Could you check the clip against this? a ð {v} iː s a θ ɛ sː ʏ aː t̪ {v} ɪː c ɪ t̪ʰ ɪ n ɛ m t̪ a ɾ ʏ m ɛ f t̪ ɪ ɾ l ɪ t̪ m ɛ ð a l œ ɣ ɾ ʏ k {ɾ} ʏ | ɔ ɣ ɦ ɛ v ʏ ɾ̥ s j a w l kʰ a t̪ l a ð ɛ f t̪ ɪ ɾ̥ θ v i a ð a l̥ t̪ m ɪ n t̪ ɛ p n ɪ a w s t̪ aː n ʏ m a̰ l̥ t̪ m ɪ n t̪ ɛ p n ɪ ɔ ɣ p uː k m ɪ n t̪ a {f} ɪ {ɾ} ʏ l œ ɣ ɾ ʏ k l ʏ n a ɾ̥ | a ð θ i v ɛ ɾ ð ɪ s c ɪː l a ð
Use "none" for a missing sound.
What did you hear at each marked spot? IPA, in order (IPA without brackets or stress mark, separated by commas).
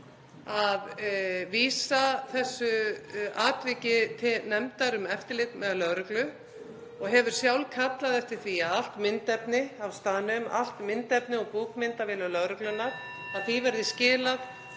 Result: v, v, l, v, l